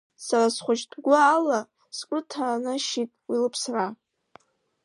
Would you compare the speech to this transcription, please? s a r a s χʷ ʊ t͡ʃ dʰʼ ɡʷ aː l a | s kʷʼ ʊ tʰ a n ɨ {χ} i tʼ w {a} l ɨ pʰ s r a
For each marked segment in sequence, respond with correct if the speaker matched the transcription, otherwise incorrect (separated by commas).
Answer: incorrect, incorrect